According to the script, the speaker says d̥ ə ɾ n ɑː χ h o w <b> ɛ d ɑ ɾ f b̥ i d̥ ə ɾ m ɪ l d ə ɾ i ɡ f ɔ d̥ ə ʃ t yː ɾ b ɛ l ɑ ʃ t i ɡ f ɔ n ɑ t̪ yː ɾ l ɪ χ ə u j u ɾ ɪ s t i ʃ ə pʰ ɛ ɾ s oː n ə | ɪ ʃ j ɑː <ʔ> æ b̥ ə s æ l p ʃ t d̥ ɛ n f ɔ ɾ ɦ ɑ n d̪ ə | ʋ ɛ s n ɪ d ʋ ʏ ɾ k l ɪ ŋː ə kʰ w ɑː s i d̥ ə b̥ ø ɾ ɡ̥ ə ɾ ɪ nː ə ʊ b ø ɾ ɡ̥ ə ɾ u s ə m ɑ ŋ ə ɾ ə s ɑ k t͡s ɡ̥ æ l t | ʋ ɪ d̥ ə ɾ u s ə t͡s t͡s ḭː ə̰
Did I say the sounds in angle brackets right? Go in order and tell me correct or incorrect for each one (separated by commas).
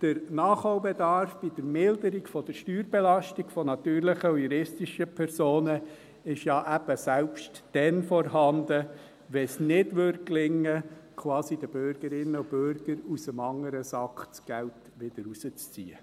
correct, correct